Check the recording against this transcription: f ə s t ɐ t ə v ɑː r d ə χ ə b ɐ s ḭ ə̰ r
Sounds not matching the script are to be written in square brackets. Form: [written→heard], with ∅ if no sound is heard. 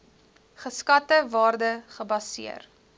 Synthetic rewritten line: [f→χ] ə s [t→k] ɐ t ə v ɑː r d ə χ ə b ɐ s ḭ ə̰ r